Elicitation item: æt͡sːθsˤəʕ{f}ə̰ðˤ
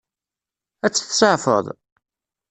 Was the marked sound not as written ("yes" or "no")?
no